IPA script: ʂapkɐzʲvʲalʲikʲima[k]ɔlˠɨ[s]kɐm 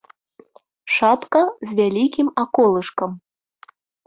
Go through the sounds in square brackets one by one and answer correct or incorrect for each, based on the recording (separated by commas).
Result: correct, incorrect